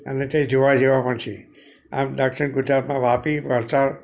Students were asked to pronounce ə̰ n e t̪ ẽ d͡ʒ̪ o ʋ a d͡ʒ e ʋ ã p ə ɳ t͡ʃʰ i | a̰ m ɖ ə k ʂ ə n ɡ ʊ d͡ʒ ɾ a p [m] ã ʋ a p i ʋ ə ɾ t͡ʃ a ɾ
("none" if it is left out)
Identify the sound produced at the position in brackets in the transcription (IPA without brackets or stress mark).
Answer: m